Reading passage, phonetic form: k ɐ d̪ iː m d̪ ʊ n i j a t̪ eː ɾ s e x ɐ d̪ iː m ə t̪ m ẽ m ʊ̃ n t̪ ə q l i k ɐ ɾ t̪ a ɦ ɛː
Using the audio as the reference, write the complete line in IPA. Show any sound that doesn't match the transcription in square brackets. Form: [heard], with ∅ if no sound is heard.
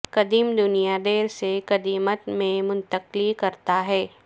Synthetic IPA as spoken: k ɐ d̪ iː m d̪ ʊ n i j a [d̪] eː ɾ s e [k] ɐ d̪ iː m ə t̪ m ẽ m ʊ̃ n t̪ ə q l i k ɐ ɾ t̪ a ɦ ɛː